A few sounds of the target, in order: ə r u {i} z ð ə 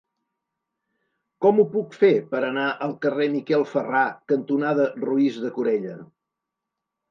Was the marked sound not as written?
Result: no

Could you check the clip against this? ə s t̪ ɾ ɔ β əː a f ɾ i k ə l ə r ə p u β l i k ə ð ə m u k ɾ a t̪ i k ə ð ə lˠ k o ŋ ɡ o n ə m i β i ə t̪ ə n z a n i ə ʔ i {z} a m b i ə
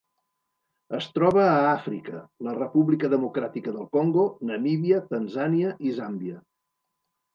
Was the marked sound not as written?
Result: no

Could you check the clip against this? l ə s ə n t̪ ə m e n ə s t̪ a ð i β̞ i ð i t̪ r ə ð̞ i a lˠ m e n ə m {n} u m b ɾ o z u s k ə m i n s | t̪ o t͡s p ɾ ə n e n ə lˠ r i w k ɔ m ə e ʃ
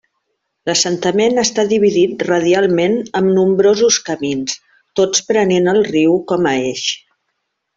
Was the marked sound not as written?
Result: no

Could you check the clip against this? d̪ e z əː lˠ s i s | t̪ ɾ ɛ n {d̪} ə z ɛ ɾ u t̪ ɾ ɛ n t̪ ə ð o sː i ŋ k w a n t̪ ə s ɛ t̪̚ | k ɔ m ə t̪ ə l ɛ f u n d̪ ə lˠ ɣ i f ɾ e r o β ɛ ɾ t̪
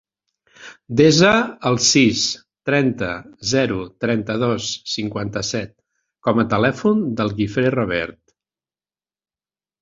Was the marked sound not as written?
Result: yes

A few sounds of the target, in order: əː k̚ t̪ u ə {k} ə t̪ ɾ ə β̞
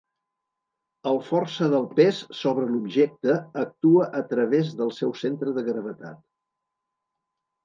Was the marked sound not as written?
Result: yes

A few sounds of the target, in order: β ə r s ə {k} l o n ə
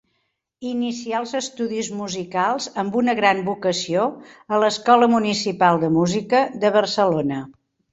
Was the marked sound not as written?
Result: yes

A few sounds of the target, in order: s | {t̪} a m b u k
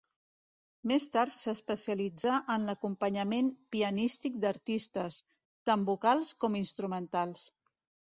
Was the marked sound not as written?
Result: no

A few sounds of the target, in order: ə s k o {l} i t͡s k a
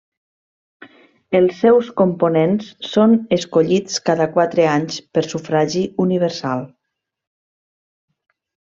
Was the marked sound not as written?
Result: yes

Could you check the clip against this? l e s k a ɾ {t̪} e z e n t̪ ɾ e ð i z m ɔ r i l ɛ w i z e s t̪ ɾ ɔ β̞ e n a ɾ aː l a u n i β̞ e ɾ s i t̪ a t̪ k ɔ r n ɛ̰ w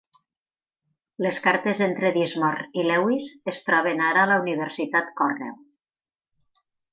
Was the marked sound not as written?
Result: no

